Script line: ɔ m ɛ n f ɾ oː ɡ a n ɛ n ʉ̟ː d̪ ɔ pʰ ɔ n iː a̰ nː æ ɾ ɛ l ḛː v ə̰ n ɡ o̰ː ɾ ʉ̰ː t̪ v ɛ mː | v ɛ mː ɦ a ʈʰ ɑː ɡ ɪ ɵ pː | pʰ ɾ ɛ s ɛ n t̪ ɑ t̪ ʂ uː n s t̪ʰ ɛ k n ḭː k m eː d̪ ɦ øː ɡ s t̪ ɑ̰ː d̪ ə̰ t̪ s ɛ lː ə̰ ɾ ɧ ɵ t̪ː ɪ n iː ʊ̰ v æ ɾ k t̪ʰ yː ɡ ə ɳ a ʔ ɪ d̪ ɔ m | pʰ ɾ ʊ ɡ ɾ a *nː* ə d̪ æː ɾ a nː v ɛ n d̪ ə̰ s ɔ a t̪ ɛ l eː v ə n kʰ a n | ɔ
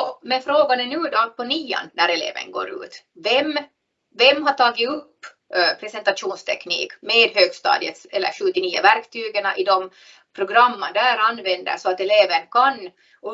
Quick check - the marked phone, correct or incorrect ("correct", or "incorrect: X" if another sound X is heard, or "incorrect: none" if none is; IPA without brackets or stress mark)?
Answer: incorrect: mː